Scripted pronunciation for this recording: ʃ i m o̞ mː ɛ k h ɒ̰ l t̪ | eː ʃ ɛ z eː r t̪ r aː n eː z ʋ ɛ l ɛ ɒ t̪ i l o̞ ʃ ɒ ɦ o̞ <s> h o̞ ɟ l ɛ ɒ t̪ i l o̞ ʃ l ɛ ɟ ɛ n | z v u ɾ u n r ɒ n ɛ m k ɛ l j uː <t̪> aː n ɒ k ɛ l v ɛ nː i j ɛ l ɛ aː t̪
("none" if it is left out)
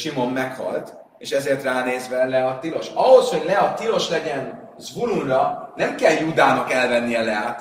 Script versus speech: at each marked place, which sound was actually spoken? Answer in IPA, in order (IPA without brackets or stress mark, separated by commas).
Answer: s, d̪